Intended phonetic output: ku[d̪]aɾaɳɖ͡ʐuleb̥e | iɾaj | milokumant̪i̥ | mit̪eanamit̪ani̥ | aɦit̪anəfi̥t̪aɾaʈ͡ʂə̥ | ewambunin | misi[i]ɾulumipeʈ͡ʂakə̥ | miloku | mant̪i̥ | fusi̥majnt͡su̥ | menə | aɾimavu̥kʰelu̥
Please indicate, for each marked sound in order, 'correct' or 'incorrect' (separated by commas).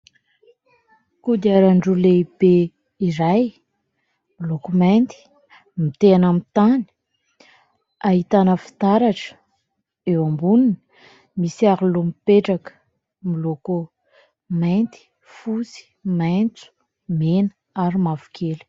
correct, incorrect